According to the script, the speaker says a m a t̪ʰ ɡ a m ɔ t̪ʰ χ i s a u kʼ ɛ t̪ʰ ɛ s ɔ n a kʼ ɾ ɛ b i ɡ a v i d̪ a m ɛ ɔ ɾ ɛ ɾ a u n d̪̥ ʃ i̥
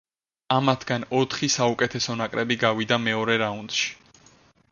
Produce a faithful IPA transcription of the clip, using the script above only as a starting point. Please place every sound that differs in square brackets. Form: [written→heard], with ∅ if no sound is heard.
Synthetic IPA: a m a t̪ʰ ɡ a [m→n] ɔ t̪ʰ χ i s a u kʼ ɛ t̪ʰ ɛ s ɔ n a kʼ ɾ ɛ b i ɡ a v i d̪ a m ɛ ɔ ɾ ɛ ɾ a u n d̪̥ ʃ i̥